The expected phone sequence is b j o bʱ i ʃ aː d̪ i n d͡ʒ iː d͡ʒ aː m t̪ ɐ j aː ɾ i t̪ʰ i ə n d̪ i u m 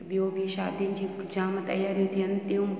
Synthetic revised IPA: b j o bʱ i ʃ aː d̪ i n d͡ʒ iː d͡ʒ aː m t̪ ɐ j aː ɾ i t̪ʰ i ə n t̪ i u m